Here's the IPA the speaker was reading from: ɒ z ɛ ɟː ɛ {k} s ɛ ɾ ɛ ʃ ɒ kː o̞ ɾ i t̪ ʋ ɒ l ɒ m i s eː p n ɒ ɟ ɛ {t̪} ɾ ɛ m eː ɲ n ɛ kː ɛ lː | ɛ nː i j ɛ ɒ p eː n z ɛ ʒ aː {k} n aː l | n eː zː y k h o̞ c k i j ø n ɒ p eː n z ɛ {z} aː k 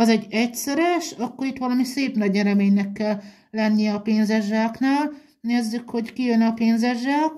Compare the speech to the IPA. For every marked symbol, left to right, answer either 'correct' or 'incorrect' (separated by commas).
incorrect, incorrect, correct, incorrect